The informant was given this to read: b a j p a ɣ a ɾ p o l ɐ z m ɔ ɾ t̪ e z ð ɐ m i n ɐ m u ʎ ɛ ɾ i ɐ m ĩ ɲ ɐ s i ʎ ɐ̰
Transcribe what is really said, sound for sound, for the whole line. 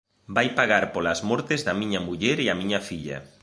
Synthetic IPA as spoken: b a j p a ɣ a ɾ p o l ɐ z m ɔ ɾ t̪ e z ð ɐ m i ɲ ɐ m u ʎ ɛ ɾ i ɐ m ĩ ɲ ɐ f i ʎ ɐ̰